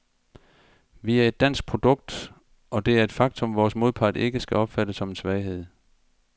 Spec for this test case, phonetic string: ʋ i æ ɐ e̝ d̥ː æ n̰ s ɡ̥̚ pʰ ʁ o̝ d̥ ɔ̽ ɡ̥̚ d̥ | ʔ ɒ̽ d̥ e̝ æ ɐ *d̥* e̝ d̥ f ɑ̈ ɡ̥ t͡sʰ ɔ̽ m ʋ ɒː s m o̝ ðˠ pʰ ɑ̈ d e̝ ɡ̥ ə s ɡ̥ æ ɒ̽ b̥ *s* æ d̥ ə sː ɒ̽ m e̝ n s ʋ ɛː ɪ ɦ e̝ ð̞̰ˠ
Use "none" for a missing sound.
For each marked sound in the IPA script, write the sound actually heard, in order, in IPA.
none, f

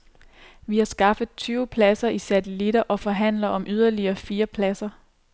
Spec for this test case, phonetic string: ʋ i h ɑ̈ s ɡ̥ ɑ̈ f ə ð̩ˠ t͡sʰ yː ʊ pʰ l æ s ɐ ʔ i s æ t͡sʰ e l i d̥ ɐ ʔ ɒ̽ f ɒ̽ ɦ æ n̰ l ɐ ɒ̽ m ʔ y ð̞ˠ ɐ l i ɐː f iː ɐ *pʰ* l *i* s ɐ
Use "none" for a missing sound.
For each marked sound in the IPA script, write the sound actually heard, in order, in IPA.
pʰ, æ

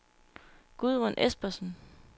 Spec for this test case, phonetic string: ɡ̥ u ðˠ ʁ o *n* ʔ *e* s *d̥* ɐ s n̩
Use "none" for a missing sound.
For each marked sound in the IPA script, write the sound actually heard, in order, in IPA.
n, e, b̥

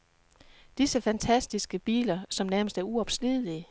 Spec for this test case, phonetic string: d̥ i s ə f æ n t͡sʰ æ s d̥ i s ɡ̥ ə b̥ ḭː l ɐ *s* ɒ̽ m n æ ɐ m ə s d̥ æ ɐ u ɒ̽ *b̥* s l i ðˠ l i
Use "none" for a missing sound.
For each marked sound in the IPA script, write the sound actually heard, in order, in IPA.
s, b̥

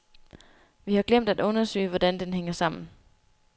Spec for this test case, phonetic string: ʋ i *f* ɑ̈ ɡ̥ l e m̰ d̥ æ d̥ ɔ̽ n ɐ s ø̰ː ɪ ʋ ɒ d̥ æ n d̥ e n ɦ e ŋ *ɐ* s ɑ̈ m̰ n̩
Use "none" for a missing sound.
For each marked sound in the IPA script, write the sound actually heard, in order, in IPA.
h, ɐ

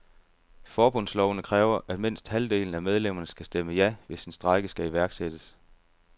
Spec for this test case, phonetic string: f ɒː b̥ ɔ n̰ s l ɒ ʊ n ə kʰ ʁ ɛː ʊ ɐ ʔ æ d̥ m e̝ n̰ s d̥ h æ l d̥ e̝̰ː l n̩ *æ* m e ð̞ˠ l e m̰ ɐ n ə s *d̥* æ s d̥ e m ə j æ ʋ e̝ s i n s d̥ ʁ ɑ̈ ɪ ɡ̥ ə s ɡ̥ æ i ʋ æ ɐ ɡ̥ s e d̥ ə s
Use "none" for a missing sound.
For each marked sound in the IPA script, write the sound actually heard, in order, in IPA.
æ, ɡ̥

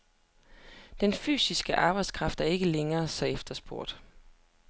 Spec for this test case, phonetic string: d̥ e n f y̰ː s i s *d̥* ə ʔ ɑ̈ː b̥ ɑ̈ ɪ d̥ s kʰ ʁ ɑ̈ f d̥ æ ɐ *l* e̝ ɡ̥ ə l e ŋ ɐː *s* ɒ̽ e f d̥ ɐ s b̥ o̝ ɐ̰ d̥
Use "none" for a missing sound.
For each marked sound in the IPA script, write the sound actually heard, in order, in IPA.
ɡ̥, none, s

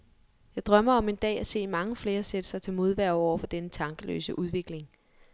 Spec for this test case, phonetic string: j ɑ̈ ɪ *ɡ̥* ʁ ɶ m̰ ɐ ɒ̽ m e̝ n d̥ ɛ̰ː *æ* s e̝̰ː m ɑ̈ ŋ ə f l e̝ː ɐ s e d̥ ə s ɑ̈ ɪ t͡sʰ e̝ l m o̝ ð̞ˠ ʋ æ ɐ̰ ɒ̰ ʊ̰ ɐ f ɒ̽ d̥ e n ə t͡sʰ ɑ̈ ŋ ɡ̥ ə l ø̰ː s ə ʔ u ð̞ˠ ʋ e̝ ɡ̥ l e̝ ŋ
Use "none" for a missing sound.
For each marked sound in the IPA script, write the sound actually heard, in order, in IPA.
d̥, æ

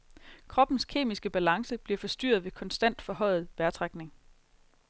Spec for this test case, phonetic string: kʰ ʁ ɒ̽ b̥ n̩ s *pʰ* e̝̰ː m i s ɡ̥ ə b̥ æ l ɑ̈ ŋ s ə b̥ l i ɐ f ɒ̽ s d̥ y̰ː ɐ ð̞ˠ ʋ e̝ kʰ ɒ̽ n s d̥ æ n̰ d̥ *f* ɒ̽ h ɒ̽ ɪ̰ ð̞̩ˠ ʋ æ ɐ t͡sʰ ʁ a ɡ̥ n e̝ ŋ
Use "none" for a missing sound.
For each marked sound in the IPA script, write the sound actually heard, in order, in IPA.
kʰ, f

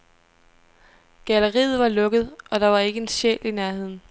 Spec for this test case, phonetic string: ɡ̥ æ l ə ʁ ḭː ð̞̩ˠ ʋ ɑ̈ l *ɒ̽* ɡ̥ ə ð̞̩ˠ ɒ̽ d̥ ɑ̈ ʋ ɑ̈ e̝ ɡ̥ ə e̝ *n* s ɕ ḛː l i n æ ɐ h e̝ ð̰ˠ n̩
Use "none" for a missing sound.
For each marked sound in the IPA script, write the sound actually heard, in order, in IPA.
ɔ̽, n

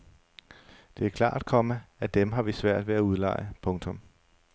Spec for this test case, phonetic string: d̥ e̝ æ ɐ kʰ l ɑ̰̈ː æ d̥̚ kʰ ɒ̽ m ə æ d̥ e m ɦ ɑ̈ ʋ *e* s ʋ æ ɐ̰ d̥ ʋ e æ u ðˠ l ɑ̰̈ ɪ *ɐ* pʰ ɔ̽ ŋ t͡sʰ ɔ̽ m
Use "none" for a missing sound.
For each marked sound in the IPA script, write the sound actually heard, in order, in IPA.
i, ə

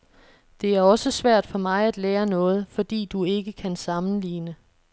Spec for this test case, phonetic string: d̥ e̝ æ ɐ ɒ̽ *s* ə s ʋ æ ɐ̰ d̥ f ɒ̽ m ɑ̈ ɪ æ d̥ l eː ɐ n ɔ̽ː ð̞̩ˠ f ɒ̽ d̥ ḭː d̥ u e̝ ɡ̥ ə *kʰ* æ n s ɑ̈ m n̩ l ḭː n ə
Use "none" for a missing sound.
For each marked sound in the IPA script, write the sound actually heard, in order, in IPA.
s, kʰ

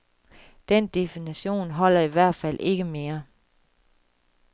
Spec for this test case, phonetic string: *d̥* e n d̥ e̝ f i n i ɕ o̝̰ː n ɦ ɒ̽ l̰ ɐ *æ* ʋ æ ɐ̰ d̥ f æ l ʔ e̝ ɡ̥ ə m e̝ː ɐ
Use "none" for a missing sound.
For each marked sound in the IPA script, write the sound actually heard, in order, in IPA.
d̥, i

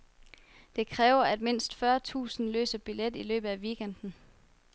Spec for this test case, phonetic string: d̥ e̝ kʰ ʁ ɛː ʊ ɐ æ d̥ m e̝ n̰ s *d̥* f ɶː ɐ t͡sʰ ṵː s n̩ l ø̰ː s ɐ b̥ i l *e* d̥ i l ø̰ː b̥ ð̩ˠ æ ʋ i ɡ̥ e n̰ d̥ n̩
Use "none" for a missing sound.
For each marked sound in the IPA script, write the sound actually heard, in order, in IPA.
d̥, e

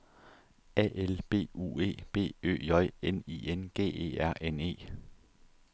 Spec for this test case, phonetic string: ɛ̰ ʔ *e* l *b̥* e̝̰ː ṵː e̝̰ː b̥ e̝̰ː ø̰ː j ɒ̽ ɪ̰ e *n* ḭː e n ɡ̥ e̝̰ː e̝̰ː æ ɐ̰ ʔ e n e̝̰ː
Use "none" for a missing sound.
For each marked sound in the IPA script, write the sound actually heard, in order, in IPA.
e, b̥, n

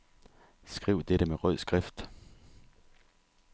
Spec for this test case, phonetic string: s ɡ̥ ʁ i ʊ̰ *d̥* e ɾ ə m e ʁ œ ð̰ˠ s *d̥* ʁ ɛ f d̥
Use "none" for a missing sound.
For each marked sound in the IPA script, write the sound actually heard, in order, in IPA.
d̥, ɡ̥

